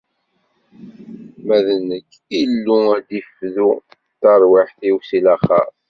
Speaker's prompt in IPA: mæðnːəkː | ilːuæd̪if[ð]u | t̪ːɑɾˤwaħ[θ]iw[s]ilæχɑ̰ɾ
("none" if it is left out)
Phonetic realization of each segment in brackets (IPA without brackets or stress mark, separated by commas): ð, θ, s